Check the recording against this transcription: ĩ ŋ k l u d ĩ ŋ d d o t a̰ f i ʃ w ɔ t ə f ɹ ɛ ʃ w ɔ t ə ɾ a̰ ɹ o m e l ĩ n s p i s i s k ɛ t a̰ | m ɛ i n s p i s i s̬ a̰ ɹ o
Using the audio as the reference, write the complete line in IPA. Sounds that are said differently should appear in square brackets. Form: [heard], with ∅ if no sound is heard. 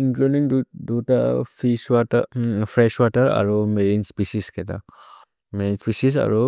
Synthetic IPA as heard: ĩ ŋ k l u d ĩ ŋ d d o t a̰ f i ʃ w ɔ t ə f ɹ ɛ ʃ w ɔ t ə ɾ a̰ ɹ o m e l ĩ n s p i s i s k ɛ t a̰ | m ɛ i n s p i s i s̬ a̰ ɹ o